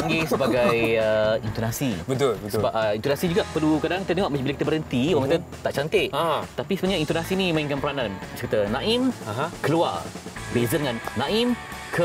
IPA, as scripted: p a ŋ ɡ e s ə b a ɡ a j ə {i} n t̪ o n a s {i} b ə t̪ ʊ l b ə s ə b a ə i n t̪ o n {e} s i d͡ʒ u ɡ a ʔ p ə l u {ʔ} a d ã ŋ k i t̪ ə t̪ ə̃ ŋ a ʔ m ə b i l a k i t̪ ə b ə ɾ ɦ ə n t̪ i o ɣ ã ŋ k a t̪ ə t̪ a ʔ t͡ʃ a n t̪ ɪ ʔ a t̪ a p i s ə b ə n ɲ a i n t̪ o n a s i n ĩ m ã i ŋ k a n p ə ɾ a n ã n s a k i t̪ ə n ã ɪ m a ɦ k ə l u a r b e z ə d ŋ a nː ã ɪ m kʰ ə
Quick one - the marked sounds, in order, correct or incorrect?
correct, correct, incorrect, incorrect

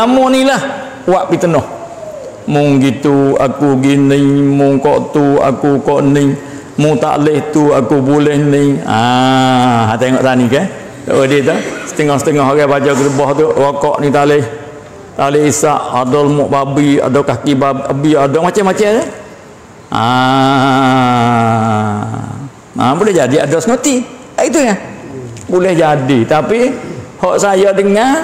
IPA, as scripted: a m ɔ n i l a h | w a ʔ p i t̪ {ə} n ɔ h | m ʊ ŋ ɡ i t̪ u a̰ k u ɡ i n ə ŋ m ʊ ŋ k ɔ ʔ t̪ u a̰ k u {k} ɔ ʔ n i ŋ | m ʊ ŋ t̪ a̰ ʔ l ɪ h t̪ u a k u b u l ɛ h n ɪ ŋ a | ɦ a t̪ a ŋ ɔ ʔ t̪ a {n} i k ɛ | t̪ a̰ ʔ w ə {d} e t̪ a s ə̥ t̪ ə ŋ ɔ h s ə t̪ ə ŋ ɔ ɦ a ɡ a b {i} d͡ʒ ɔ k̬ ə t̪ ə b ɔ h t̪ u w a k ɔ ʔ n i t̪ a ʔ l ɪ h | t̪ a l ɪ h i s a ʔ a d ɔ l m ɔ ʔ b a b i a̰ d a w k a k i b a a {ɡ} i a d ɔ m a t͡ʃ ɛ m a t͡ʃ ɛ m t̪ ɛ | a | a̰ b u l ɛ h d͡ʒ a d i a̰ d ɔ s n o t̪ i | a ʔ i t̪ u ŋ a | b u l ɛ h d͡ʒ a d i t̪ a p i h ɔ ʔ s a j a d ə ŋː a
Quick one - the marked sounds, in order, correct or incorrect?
correct, correct, correct, correct, incorrect, incorrect

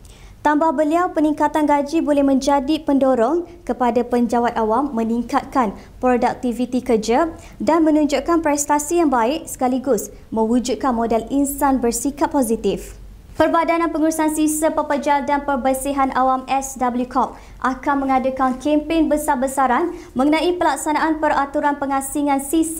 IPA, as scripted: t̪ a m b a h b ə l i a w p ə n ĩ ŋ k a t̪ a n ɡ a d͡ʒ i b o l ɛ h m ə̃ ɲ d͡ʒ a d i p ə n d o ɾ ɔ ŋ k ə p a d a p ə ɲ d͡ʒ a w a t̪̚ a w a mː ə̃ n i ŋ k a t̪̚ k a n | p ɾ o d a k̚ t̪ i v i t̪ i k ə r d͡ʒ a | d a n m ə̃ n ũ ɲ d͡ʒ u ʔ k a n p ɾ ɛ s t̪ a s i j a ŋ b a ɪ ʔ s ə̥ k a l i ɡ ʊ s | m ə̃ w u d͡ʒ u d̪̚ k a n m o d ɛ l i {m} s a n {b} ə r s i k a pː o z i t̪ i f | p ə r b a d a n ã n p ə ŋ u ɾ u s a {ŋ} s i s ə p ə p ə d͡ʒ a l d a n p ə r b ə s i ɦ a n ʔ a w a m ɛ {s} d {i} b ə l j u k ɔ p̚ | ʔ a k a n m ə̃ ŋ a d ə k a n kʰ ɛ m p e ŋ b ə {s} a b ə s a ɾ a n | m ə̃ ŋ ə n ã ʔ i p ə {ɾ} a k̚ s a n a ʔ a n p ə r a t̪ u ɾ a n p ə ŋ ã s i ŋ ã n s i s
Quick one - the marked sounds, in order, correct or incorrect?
incorrect, correct, incorrect, correct, incorrect, correct, incorrect

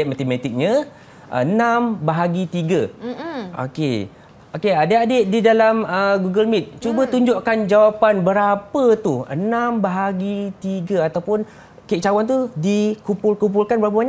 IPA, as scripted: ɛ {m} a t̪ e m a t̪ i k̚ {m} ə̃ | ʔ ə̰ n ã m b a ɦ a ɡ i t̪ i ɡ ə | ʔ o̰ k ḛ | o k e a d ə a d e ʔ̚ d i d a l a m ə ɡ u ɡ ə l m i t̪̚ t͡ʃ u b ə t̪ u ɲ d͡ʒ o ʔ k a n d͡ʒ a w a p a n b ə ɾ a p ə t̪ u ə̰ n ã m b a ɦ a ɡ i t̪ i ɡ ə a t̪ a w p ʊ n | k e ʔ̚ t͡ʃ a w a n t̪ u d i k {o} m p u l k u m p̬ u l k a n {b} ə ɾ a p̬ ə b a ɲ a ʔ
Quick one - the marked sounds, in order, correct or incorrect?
correct, incorrect, incorrect, correct

